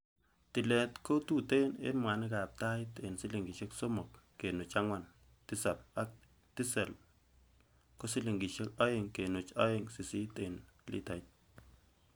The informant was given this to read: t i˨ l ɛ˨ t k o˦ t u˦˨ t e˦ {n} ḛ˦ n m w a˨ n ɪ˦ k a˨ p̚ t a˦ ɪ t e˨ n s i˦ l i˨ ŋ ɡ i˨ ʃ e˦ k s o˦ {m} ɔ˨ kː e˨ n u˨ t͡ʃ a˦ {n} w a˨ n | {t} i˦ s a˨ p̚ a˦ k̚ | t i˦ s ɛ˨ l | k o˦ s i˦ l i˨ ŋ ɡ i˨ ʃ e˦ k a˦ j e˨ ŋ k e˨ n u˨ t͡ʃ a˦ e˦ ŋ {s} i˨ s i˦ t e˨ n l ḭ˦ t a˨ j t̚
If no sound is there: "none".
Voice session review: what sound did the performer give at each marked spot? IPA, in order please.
n, m, ŋ, t, s

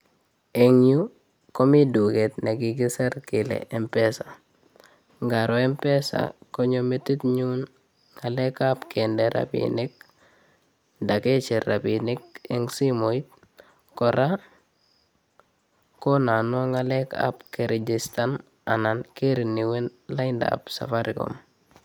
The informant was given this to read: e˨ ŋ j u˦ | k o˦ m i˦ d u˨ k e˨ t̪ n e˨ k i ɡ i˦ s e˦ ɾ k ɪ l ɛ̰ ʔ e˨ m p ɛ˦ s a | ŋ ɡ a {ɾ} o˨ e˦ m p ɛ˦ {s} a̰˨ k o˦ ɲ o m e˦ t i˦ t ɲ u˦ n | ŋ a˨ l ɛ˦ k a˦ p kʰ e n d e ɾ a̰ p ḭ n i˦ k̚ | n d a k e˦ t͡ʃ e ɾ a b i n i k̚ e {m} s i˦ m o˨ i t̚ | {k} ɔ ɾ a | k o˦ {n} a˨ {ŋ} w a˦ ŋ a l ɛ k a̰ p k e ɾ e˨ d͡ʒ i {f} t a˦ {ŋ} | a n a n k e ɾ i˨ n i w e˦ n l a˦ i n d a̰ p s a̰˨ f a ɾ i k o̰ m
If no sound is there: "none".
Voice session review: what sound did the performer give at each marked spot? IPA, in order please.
ɾ, s, ŋ, k, n, n, s, n

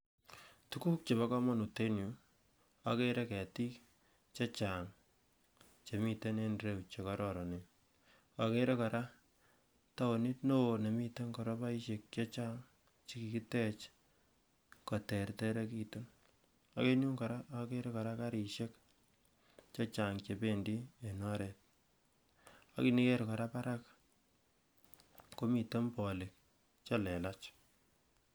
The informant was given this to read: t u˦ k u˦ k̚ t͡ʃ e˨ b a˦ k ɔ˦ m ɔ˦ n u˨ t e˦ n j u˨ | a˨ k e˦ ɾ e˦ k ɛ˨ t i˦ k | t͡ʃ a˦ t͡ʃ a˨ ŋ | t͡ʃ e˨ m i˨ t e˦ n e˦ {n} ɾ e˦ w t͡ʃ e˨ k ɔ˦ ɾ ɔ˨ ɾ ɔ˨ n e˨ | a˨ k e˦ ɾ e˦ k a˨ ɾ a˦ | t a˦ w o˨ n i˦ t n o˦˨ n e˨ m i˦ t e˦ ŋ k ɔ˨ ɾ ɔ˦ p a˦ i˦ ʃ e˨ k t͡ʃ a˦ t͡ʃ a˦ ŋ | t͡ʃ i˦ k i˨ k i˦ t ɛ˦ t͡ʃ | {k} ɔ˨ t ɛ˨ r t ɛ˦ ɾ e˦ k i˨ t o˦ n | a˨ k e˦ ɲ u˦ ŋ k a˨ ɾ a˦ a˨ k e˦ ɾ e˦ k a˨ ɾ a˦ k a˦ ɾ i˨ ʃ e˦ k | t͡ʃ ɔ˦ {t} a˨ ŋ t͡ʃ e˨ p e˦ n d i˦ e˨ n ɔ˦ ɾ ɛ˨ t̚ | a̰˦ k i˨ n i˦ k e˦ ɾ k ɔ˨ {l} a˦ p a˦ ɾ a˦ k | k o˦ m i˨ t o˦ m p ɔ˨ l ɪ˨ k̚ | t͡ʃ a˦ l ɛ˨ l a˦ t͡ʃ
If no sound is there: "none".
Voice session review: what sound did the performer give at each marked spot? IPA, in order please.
n, k, t͡ʃ, ɾ

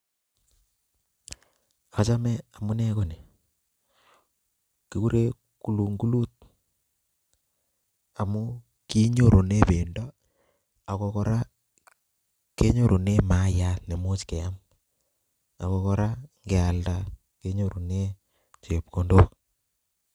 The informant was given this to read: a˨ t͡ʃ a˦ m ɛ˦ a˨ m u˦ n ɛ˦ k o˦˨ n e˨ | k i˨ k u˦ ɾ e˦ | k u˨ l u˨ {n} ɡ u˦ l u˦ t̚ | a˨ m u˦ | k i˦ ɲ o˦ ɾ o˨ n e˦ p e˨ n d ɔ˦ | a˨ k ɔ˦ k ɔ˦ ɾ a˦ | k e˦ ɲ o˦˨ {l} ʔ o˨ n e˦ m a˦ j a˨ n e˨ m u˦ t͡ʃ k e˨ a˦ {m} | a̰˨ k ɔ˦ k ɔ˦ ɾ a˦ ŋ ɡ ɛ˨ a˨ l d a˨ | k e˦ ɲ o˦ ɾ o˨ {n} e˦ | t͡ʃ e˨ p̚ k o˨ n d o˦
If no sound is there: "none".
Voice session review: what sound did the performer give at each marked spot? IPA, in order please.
ŋ, ɾ, m, n

